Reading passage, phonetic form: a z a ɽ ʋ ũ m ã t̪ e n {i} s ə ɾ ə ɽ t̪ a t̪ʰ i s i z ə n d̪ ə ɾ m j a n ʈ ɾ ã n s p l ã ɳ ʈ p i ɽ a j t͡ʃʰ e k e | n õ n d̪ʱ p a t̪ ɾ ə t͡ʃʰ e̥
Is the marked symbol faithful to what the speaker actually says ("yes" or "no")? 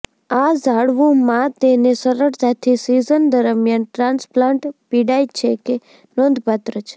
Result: no